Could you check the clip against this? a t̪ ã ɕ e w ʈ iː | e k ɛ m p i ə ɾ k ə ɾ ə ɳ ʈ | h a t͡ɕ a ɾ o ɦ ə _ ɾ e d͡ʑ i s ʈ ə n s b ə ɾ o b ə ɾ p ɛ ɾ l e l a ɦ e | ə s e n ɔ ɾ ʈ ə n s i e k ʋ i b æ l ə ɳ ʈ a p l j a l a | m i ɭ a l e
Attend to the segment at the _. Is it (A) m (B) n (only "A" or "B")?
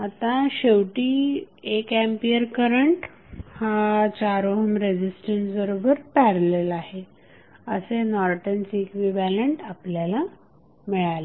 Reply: A